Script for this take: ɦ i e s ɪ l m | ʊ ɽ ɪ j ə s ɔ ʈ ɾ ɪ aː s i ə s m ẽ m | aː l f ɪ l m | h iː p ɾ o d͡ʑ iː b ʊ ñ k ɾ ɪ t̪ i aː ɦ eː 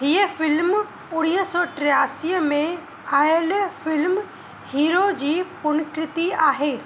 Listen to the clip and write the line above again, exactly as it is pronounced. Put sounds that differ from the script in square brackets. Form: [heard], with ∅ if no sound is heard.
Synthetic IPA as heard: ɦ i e [f] ɪ l m | ʊ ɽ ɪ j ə s ɔ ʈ ɾ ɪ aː s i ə [∅] m ẽ [∅] | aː l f ɪ l m | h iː [∅] ɾ o d͡ʑ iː [p] ʊ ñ k ɾ ɪ t̪ i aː ɦ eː